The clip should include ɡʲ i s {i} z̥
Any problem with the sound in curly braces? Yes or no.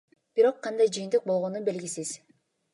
no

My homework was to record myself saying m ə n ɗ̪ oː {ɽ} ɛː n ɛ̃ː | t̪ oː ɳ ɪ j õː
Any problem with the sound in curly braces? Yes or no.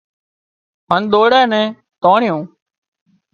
no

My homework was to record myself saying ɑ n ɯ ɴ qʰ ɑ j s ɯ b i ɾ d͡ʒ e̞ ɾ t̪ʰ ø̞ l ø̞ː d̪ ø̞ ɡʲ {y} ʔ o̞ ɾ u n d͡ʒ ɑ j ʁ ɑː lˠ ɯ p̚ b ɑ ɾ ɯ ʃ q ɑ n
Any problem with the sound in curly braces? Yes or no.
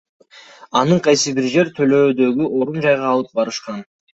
no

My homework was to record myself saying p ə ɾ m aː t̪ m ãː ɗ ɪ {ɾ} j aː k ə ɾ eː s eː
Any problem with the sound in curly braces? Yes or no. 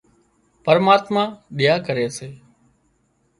yes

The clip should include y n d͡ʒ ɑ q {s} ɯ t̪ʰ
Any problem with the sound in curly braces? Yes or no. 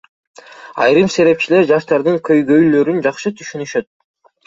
yes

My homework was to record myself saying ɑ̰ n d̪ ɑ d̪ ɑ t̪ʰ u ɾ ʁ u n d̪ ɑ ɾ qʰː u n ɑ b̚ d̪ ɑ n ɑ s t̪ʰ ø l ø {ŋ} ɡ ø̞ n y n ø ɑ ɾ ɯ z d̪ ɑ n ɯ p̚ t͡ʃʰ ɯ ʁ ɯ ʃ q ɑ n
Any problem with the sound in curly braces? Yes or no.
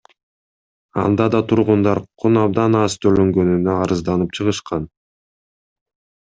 no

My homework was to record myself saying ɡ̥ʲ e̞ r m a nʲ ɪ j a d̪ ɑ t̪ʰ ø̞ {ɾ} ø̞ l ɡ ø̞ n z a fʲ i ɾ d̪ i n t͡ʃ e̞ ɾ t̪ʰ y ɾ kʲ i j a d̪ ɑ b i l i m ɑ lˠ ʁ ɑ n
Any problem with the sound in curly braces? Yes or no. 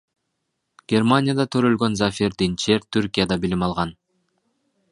no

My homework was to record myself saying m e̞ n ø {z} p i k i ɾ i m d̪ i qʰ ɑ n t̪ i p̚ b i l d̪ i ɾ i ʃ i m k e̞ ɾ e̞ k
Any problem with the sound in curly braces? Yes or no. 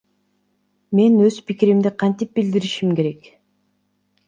no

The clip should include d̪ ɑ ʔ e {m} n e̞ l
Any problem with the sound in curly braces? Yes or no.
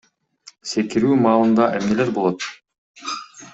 no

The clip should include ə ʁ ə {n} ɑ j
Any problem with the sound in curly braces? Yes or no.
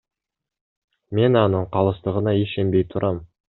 no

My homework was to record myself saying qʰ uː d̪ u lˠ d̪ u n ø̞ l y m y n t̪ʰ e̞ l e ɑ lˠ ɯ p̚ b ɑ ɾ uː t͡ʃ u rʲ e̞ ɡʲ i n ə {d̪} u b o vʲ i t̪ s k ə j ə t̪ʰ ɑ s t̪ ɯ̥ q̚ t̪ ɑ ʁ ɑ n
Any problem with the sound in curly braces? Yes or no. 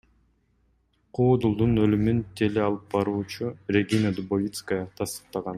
no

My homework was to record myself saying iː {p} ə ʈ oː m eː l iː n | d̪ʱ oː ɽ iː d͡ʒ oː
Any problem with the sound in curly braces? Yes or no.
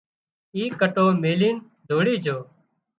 yes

